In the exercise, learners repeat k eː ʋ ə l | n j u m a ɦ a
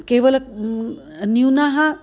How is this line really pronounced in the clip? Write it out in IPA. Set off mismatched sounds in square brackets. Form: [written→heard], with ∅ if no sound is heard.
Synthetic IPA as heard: k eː ʋ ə l | n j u [m→n] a ɦ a